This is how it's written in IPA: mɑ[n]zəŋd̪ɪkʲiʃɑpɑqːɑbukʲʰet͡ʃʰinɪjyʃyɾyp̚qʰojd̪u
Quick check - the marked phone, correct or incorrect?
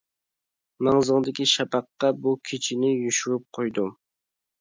incorrect